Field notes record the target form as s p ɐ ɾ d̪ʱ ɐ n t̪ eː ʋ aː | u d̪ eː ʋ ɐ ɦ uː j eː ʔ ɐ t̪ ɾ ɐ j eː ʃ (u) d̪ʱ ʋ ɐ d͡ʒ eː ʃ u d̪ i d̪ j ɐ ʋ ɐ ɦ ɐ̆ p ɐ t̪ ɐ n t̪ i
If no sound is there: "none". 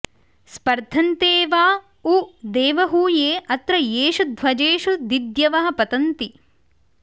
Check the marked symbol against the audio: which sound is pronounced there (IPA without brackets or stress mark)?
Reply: u